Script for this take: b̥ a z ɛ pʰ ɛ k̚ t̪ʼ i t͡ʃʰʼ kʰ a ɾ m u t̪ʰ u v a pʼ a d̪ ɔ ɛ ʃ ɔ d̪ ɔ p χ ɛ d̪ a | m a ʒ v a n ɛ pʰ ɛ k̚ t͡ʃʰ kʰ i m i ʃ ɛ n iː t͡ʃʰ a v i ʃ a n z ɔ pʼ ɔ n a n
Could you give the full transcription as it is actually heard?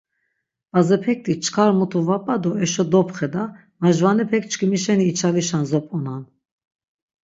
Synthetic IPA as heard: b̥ a z ɛ pʰ ɛ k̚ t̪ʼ i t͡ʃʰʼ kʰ a ɾ m u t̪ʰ u v a pʼ a d̪ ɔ ɛ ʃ ɔ d̪ ɔ p χ ɛ d̪ a | m a ʒ v a n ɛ pʰ ɛ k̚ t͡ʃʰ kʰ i m i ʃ ɛ n iː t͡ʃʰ a v i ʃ a n z ɔ pʼ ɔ n a n